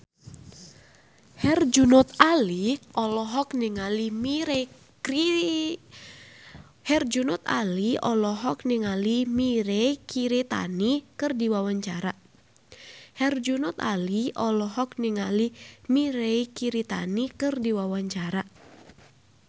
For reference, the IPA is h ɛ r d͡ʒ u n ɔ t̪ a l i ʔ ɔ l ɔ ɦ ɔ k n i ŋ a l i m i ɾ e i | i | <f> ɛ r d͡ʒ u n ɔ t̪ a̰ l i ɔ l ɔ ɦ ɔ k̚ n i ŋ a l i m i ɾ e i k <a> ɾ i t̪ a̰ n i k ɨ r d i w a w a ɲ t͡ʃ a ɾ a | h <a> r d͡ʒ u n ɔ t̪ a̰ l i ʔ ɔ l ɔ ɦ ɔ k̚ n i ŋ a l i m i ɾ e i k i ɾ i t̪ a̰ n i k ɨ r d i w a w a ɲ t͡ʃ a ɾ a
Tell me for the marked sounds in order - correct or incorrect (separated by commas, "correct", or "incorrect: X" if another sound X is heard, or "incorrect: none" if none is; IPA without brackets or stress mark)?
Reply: incorrect: h, incorrect: i, incorrect: ɛ